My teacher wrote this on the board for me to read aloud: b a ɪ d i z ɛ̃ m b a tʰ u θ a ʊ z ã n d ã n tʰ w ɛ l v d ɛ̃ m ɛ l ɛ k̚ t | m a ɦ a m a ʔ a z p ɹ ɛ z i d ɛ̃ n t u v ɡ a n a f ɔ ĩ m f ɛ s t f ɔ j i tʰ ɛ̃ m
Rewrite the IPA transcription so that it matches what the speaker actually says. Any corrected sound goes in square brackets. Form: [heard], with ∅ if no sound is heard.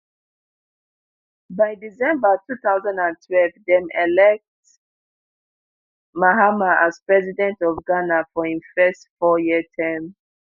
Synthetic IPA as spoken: b a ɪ d i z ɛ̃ m b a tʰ u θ a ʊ z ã n d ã n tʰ w ɛ l v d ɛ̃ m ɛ l ɛ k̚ t | m a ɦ a m a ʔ a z p ɹ ɛ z i d ɛ̃ n t [ɔ] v ɡ a n a f ɔ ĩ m f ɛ s t f ɔ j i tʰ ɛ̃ m